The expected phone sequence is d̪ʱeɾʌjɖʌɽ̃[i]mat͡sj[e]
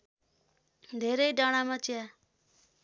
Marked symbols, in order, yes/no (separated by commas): no, no